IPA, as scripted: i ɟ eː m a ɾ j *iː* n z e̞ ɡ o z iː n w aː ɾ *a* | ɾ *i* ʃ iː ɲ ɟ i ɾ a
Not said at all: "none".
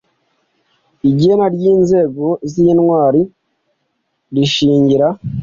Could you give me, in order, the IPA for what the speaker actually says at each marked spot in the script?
iː, i, i

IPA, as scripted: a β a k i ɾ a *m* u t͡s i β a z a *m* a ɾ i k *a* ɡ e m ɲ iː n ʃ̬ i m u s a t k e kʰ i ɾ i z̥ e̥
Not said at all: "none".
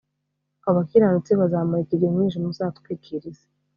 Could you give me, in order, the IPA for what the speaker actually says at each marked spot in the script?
n, m, i

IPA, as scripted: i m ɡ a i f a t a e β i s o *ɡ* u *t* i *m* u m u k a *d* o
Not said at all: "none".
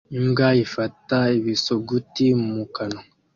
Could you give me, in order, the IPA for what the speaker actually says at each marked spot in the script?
ɡ, t, m, n

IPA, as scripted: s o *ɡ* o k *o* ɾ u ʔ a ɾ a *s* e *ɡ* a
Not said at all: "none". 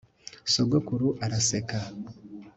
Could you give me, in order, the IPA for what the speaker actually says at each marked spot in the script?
ɡ, u, s, k

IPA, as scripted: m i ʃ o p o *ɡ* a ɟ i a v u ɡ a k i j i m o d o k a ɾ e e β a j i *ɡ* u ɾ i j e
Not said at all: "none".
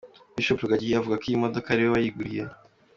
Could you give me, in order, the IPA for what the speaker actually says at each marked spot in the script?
ɡ, ɡ

